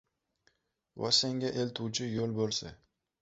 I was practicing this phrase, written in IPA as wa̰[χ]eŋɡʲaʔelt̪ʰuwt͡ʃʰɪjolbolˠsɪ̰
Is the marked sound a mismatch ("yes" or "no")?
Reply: yes